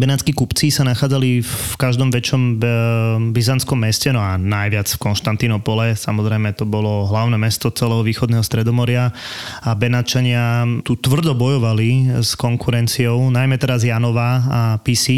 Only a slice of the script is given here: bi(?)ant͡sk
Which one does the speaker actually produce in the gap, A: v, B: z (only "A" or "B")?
B